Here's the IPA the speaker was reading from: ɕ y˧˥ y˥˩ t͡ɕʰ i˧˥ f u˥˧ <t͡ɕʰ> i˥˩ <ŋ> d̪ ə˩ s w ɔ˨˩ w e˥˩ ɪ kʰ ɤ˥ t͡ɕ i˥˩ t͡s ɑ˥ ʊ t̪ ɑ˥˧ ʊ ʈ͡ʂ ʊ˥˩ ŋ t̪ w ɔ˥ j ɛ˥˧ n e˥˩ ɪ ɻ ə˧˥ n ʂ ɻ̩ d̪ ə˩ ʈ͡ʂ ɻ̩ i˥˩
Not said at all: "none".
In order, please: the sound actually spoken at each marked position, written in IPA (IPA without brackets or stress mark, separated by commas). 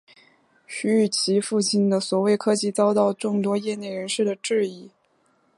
t͡ɕ, n